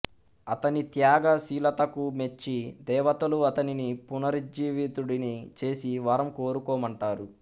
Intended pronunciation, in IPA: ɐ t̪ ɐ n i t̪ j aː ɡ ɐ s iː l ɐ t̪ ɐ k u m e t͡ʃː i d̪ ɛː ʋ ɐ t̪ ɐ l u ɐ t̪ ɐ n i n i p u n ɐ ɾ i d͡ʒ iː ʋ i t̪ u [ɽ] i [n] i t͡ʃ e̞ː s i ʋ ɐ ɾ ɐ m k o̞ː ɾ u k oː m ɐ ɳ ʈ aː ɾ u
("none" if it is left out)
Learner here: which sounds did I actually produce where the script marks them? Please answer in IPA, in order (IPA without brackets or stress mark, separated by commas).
ɽ, n